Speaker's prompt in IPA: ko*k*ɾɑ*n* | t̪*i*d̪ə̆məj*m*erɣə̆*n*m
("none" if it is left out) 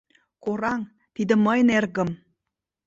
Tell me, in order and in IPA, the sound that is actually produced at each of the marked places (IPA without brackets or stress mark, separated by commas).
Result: none, ŋ, i, n, none